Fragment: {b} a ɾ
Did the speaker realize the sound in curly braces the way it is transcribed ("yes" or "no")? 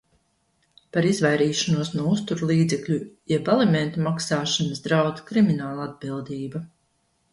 no